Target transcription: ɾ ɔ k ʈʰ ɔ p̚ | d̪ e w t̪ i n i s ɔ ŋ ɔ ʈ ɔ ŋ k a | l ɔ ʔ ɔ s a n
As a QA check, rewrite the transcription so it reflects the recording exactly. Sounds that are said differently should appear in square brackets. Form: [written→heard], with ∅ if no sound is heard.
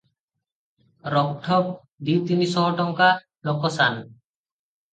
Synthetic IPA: ɾ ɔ k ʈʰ ɔ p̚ | d̪ [e→i] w t̪ i n i s ɔ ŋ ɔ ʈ ɔ ŋ k a | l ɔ [ʔ→k] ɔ s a n